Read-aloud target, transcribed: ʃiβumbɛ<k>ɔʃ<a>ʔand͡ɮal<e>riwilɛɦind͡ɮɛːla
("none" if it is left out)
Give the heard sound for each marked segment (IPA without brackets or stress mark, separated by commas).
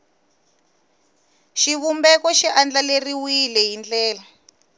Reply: k, i, e